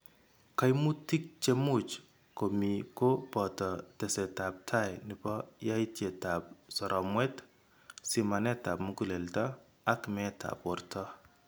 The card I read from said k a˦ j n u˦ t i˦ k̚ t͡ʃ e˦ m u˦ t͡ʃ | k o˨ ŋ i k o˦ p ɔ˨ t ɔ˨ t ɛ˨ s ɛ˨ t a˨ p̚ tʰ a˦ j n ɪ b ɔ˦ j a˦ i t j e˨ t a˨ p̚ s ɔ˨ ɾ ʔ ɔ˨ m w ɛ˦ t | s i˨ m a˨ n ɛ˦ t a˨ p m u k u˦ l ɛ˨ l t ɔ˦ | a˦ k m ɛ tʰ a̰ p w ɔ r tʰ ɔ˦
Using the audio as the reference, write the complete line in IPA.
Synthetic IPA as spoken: k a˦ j m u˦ t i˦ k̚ t͡ʃ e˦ m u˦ t͡ʃ | k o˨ m i k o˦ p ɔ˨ t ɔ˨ t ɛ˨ s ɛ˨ t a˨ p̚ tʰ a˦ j n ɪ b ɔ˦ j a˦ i t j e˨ t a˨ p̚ s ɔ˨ ɾ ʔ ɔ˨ m w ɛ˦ t | s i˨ m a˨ n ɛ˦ t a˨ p m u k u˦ l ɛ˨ l t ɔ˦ | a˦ k m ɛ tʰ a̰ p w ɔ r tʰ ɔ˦